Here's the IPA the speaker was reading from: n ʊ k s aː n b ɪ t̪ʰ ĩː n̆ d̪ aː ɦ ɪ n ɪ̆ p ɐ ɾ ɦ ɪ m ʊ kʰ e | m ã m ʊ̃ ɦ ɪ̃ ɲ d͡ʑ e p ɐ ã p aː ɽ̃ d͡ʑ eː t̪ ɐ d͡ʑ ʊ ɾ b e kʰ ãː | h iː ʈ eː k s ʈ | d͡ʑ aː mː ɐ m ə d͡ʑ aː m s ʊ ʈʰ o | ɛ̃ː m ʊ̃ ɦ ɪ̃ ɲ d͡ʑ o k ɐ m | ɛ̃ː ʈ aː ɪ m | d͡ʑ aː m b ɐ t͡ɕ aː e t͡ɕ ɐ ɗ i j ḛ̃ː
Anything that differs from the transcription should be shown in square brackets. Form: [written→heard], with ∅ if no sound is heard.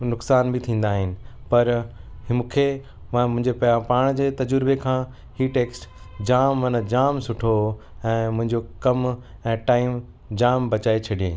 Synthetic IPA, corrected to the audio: n ʊ k s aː n b ɪ t̪ʰ ĩː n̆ d̪ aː ɦ ɪ n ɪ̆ p ɐ ɾ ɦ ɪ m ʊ kʰ e | m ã m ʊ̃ ɦ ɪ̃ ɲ d͡ʑ e p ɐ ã p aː ɽ̃ d͡ʑ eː t̪ ɐ d͡ʑ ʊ ɾ b e kʰ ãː | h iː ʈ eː k s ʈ | d͡ʑ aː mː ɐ [m→n] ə d͡ʑ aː m s ʊ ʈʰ o | ɛ̃ː m ʊ̃ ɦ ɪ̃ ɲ d͡ʑ o k ɐ m | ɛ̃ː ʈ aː ɪ m | d͡ʑ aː m b ɐ t͡ɕ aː e [t͡ɕ→t͡ɕʰ] ɐ ɗ i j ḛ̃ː